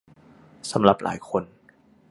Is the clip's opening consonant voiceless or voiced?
voiceless